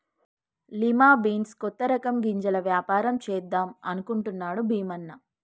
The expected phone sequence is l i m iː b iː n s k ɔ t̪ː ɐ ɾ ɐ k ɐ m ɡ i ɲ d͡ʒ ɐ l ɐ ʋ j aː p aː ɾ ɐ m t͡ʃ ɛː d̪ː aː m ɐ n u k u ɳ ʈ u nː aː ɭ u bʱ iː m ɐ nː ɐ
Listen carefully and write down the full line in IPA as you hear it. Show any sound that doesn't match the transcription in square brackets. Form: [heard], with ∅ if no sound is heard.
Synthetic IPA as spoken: l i m [aː] b iː n s k ɔ t̪ː ɐ ɾ ɐ k ɐ m ɡ i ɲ d͡ʒ ɐ l ɐ ʋ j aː p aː ɾ ɐ m t͡ʃ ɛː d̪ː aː m ɐ n u k u ɳ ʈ u nː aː [ɽ] u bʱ iː m ɐ nː ɐ